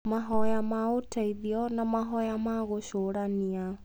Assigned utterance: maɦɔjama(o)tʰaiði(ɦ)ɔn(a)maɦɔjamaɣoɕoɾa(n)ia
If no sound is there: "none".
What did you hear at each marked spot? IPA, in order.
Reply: o, none, a, n

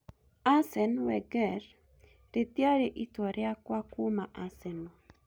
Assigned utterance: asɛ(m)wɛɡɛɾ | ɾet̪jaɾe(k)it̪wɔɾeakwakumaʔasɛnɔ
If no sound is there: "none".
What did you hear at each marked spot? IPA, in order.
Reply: n, ʔ

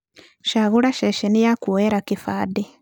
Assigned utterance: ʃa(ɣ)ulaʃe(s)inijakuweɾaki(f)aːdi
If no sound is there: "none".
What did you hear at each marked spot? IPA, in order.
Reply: ɣ, ʃ, f

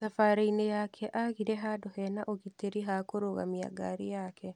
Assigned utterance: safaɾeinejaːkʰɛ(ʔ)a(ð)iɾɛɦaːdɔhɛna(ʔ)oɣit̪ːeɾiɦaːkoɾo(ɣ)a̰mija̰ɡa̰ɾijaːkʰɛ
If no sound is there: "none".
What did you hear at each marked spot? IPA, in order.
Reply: ʔ, ɣ, ʔ, ɣ

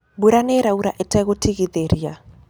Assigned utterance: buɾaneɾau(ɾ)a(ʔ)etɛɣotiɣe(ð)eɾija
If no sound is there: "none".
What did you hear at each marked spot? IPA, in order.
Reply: ɾ, ʔ, ð

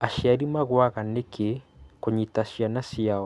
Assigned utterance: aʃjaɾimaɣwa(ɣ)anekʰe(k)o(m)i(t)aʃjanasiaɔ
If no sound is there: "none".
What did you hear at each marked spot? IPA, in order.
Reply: ɣ, k, ɲ, t

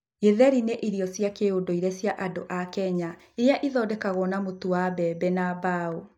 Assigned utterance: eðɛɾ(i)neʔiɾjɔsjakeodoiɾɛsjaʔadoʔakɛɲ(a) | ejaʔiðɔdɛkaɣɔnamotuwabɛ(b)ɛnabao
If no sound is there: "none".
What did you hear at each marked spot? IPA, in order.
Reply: i, a, b

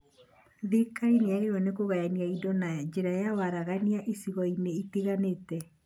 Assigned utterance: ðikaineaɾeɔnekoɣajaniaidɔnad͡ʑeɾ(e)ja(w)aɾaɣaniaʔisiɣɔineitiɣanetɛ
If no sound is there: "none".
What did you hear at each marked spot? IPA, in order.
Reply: a, w

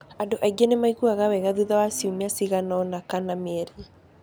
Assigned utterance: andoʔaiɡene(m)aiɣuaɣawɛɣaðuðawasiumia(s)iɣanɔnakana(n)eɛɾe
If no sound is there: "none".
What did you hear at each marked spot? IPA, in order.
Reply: m, s, m

